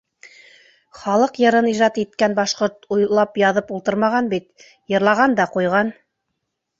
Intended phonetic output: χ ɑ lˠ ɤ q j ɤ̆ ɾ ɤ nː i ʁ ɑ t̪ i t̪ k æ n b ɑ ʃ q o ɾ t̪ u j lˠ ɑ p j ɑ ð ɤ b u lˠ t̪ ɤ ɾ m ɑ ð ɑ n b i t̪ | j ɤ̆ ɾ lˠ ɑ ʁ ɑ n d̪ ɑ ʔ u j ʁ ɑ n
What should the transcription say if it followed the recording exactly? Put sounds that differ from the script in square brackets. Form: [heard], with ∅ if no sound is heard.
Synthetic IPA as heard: χ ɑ lˠ ɤ q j ɤ̆ ɾ ɤ [n] i [ʒ] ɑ t̪ i t̪ k æ n b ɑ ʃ q o ɾ t̪ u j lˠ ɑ p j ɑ ð ɤ [p] u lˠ t̪ ɤ ɾ m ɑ [ʁ] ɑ n b i t̪ | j ɤ̆ ɾ lˠ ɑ ʁ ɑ n d̪ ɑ [q] u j ʁ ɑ n